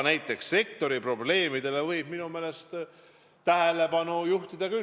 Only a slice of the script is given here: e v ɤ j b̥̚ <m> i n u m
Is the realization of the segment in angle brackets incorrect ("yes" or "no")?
no